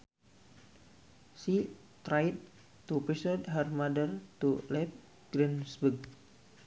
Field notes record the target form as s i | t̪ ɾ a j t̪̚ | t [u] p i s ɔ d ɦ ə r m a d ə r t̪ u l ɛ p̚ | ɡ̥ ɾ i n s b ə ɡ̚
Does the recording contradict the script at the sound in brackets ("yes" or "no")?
no